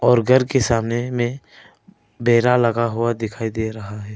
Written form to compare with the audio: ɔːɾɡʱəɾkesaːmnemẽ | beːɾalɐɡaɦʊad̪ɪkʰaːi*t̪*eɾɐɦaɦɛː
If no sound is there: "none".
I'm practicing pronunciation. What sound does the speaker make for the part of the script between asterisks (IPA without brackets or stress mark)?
d̪